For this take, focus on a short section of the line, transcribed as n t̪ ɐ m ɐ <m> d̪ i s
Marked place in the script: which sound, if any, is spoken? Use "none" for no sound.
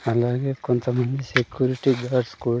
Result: n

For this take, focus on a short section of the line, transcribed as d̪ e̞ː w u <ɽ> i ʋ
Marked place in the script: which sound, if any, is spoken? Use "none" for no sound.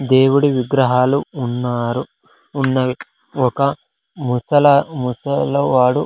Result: ɽ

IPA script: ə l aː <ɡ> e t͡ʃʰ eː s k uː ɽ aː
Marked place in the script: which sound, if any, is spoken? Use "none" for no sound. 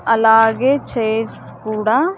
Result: ɡ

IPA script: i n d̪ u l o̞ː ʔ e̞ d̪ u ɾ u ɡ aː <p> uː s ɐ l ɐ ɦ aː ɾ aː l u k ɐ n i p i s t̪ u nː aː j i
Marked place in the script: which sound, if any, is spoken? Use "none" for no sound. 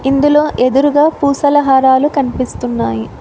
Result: p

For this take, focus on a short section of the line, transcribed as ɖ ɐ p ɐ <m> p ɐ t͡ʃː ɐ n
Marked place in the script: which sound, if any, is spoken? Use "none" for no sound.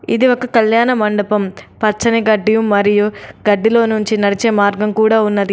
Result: m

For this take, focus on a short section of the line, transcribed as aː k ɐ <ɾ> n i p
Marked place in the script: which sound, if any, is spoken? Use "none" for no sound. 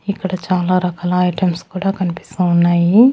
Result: none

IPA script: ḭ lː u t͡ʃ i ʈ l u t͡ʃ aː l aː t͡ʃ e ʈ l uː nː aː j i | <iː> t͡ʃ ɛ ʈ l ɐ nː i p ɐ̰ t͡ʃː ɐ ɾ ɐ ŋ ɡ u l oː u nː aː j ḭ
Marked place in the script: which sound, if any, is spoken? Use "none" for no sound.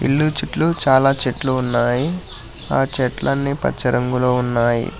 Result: aː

